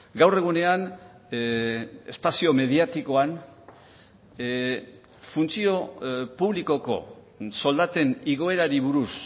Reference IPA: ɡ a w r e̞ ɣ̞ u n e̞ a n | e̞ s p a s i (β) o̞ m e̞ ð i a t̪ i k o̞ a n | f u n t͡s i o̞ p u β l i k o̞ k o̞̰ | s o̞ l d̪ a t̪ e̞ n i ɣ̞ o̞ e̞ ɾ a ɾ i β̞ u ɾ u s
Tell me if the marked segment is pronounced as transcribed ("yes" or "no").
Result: no